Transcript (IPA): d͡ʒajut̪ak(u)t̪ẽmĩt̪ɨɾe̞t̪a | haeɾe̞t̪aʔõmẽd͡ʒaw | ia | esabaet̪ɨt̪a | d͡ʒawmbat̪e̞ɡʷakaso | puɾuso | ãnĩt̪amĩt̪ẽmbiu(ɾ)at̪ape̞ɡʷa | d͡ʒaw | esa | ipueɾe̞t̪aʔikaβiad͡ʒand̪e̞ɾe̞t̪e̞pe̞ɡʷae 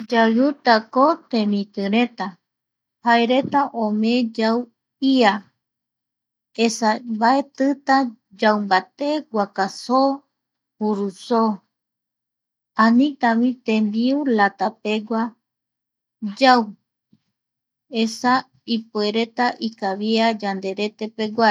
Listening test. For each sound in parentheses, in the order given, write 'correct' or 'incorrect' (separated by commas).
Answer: incorrect, incorrect